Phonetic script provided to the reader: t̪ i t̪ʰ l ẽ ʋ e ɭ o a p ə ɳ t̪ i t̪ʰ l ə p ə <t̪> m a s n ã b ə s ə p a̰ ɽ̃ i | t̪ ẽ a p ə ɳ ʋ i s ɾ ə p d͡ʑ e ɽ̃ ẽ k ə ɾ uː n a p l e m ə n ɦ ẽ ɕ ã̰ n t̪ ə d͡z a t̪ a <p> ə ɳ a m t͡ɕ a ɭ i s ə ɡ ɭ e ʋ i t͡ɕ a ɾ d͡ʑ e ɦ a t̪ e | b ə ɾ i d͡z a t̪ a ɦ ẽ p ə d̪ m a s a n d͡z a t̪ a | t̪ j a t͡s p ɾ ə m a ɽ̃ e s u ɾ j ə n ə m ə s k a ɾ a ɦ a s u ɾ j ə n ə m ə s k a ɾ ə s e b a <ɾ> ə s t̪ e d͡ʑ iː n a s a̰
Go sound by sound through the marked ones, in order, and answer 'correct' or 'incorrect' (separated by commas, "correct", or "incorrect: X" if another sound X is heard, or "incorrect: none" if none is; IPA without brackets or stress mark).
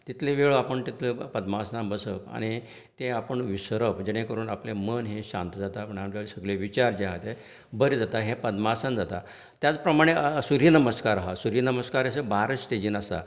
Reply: incorrect: d̪, correct, correct